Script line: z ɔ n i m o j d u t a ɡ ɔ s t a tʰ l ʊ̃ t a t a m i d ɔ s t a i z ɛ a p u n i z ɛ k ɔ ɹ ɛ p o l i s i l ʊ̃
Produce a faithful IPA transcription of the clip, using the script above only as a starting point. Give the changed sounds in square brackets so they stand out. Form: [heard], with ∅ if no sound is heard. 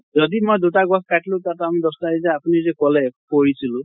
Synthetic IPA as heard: z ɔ [d] i m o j d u t a ɡ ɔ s [k] a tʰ l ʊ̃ t a t a m i d ɔ s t a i z ɛ a p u n i z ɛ k ɔ [l] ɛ p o [ɹ] i s i l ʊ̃